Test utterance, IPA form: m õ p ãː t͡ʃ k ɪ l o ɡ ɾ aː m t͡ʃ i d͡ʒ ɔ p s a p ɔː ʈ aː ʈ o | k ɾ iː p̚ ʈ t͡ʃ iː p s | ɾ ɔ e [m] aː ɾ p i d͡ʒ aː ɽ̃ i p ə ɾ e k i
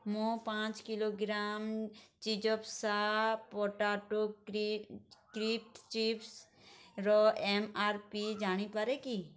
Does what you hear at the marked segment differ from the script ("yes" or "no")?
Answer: no